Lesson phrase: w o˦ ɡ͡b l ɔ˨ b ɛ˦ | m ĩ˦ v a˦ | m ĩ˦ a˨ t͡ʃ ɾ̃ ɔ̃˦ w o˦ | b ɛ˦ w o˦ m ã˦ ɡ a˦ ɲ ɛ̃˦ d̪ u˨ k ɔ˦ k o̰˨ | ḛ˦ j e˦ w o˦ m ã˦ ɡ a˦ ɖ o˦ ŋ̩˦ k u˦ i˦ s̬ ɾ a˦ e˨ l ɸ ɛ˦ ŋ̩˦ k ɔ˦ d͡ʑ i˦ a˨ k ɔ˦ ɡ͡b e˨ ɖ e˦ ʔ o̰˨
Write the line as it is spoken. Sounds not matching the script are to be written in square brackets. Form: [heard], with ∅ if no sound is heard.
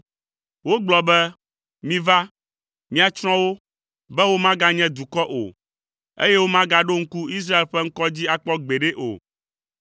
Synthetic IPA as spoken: w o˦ ɡ͡b l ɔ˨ b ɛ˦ | m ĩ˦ v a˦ | m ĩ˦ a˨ t͡ʃ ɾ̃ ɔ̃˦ w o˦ | b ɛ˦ w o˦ m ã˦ ɡ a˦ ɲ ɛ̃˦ d̪ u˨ k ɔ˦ [ʔ] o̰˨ | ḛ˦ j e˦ w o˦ m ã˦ ɡ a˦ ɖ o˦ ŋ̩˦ k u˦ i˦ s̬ ɾ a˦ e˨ l ɸ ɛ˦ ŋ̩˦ k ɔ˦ d͡ʑ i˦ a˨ [k͡p] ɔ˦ ɡ͡b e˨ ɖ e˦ ʔ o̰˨